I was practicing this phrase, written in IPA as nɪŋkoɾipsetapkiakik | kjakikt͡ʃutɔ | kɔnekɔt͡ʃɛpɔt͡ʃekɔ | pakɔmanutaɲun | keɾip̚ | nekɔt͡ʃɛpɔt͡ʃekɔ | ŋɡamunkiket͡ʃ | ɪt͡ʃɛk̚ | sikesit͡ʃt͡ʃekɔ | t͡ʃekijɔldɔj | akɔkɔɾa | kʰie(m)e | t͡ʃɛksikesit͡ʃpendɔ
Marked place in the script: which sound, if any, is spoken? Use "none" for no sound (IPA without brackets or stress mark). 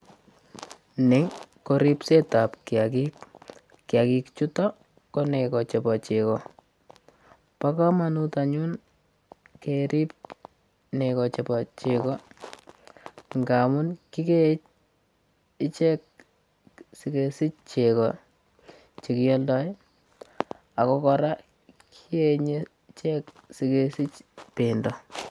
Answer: ɲ